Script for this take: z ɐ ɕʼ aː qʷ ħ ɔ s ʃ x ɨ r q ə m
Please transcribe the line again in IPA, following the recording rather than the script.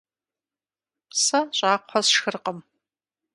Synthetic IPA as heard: s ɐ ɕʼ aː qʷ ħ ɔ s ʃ x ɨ r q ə m